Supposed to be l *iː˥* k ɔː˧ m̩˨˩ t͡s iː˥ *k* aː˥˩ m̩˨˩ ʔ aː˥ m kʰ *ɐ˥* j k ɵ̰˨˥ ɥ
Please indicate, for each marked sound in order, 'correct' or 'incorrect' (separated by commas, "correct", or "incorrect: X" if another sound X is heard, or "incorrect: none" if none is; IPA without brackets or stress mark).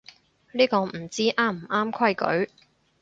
correct, incorrect: ʔ, correct